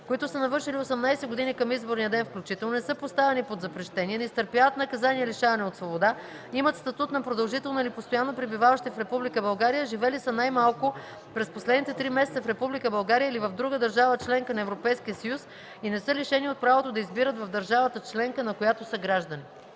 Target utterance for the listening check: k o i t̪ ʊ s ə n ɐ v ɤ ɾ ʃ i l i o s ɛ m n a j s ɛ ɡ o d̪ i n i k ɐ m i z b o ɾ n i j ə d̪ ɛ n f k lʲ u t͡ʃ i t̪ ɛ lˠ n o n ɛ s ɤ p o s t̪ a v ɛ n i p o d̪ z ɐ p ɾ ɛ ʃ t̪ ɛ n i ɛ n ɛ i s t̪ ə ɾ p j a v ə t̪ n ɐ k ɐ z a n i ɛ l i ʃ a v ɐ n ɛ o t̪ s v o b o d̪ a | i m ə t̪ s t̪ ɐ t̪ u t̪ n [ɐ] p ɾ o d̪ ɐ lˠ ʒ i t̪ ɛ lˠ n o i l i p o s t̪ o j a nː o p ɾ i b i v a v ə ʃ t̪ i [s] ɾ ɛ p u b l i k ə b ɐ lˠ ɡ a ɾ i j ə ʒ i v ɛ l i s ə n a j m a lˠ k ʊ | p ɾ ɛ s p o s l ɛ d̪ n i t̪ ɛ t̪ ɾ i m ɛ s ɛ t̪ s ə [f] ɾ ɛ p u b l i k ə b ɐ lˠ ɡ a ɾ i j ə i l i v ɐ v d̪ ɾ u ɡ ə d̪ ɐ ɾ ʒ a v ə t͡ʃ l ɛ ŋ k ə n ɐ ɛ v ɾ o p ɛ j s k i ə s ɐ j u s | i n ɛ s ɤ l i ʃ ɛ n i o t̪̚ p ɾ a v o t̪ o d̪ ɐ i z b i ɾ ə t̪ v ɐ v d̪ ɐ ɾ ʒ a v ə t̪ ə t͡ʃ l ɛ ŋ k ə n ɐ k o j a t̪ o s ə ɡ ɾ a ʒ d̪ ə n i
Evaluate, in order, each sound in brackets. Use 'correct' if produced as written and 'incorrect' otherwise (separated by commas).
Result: correct, incorrect, correct